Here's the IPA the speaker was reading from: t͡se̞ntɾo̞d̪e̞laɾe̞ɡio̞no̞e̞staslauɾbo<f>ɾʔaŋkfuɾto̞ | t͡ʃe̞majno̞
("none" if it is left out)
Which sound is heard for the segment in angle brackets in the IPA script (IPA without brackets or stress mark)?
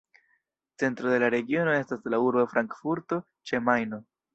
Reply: f